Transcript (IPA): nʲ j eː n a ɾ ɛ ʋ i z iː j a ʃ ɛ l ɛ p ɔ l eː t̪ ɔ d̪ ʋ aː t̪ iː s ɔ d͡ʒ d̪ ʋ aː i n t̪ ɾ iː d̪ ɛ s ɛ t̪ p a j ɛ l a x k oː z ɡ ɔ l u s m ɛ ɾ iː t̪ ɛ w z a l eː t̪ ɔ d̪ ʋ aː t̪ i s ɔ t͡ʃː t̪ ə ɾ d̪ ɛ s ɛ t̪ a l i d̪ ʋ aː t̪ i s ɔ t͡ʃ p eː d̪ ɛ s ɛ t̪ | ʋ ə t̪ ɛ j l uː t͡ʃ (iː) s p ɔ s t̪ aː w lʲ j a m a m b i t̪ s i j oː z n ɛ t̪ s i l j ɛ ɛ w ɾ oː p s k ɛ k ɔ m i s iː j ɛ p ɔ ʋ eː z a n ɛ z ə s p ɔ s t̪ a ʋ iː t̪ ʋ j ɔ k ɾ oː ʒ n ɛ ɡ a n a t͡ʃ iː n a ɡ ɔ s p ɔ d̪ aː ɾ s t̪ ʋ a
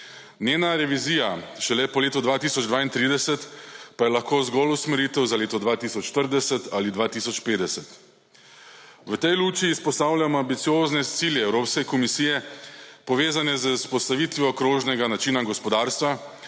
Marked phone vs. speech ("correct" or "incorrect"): correct